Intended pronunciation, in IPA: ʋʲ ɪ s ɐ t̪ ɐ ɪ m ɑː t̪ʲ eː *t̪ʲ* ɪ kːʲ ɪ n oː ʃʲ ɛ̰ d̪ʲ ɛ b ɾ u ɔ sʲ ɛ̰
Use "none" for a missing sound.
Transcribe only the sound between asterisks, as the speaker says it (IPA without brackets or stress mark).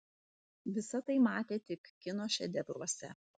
t̪ʲ